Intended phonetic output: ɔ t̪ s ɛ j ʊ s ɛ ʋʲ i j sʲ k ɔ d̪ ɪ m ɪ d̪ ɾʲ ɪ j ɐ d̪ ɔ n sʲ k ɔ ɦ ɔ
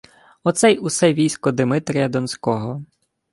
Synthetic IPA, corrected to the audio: ɔ t̪ s ɛ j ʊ s ɛ ʋʲ i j sʲ k ɔ d̪ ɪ m ɪ t̪ ɾʲ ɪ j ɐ d̪ ɔ n sʲ k ɔ ɦ ɔ